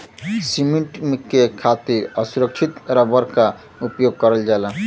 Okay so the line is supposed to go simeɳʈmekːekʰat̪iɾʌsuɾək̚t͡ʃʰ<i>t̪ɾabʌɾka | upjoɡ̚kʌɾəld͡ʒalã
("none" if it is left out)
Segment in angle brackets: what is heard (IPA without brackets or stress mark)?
i